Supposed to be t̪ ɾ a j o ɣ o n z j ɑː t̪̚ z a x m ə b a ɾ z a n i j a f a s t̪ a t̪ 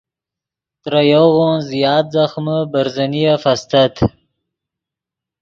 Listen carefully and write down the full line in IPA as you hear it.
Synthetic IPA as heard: t̪ ɾ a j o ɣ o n z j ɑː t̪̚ z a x m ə b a ɾ z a n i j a f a s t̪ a t̪